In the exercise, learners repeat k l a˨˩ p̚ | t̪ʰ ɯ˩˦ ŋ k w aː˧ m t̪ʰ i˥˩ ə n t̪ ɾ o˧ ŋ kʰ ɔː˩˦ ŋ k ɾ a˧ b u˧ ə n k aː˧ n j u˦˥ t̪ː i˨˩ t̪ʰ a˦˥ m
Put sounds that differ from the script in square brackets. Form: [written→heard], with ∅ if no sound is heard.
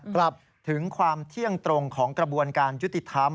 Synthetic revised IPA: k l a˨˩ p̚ | t̪ʰ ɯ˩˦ ŋ [k→kʰ] w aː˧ m t̪ʰ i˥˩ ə [n→ŋ] t̪ ɾ o˧ ŋ kʰ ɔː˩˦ ŋ k ɾ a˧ b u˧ ə n k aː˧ n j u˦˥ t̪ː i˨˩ t̪ʰ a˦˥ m